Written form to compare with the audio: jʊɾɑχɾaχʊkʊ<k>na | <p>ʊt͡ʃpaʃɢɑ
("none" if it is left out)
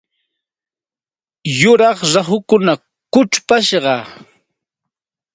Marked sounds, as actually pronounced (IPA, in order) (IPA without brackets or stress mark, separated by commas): none, k